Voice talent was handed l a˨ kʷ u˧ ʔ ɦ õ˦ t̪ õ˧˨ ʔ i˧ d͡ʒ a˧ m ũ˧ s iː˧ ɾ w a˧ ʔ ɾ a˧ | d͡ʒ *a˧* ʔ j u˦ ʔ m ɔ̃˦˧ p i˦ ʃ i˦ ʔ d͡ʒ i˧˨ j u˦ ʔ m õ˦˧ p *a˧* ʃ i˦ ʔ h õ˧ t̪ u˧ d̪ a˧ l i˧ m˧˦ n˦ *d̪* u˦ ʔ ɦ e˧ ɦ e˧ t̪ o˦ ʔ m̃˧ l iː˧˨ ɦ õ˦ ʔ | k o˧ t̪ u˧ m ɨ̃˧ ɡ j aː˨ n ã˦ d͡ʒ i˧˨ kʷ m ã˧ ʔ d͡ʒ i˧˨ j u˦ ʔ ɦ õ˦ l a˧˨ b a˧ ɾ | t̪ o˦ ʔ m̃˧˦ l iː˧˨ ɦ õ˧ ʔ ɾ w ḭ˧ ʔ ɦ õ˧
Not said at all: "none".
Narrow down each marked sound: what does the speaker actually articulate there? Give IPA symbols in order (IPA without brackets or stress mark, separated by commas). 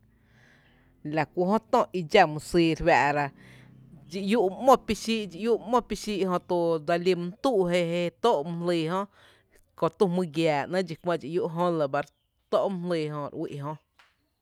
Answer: i˧, i˧, t̪